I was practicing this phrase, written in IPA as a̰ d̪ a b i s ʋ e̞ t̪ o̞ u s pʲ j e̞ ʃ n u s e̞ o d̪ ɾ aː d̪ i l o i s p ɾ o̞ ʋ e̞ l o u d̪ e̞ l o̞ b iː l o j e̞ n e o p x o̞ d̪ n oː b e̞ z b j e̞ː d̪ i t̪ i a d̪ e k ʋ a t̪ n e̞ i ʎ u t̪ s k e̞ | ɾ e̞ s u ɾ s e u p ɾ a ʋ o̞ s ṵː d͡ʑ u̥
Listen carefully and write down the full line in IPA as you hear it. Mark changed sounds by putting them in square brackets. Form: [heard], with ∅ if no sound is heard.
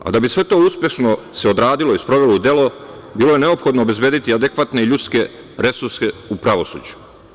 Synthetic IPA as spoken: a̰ d̪ a b i s ʋ e̞ t̪ o̞ u s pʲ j e̞ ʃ n [o] s e̞ o d̪ ɾ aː d̪ i l o i s p ɾ o̞ ʋ e̞ l o u d̪ e̞ l o̞ b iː l o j e̞ n e o p x o̞ d̪ n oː b e̞ z b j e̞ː d̪ i t̪ i a d̪ e k ʋ a t̪ n e̞ i ʎ u t̪ s k e̞ | ɾ e̞ s u ɾ s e u p ɾ a ʋ o̞ s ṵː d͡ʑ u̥